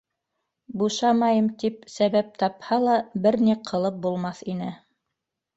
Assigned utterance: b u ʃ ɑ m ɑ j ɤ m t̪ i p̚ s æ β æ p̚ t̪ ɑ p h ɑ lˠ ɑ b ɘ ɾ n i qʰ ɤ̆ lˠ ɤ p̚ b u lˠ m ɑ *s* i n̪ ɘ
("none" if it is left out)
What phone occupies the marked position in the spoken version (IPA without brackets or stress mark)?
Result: θ